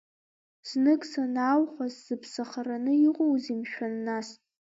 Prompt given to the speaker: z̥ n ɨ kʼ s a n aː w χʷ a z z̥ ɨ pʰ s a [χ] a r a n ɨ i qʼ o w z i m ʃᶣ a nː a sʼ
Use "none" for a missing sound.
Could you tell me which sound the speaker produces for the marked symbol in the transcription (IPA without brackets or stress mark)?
χ